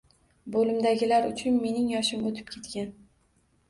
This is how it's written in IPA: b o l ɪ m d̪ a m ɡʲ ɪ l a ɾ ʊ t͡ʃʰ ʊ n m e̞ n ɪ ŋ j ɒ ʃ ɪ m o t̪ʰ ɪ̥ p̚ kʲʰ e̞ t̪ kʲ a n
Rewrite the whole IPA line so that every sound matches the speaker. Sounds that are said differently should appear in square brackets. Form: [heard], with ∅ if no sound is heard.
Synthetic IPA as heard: b o l ɪ m d̪ a [∅] ɡʲ ɪ l a ɾ ʊ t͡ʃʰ ʊ n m e̞ n ɪ ŋ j ɒ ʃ ɪ m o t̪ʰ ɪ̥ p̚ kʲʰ e̞ t̪ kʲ a n